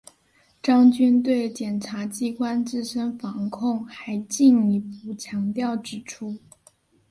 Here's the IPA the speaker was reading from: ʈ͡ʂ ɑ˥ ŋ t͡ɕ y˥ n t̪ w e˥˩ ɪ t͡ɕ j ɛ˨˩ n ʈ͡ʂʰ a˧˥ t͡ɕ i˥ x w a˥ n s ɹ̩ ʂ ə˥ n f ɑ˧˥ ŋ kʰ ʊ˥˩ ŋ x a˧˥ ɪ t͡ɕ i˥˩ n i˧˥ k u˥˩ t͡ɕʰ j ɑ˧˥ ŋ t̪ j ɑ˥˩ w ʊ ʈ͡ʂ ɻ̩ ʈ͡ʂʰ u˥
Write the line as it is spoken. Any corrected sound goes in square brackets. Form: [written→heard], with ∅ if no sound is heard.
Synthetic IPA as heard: ʈ͡ʂ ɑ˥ ŋ t͡ɕ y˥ n t̪ w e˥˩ ɪ t͡ɕ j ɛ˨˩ n ʈ͡ʂʰ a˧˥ t͡ɕ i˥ [x→k] w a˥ n [s→t͡s] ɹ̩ ʂ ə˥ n f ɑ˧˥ ŋ kʰ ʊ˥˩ ŋ x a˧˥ ɪ t͡ɕ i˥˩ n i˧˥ [k→p] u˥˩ t͡ɕʰ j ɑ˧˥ ŋ t̪ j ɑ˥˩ [w→∅] ʊ ʈ͡ʂ ɻ̩ ʈ͡ʂʰ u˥